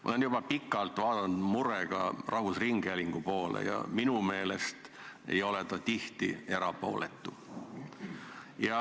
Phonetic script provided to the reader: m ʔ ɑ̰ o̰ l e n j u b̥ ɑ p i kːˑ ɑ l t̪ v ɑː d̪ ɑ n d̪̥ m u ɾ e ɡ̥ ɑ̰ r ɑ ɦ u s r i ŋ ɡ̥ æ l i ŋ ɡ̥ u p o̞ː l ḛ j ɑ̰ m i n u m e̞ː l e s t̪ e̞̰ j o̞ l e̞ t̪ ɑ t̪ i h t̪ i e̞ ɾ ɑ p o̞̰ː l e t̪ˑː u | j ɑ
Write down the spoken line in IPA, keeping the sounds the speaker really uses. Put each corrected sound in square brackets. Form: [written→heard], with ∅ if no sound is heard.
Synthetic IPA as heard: m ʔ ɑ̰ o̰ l e n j u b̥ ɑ p i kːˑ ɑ l t̪ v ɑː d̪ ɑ n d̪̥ m u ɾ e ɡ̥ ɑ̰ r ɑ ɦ u s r i ŋ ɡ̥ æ l i ŋ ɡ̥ u p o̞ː l ḛ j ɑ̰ m i n u m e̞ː l e s t̪ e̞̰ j o̞ l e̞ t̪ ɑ t̪ i h t̪ i e̞ ɾ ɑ p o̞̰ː l e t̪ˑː u | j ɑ